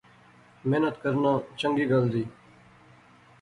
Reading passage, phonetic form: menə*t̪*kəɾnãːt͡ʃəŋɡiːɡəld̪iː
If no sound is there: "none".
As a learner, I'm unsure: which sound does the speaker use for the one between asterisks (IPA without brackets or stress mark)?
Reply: t̪